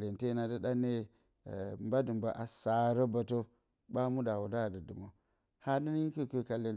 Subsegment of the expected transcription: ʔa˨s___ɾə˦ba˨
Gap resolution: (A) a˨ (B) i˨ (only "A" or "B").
A